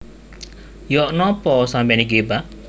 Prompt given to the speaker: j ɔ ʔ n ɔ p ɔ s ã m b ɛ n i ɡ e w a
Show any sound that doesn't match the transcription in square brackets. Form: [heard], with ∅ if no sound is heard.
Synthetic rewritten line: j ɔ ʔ n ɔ p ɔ s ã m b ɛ n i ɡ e [b] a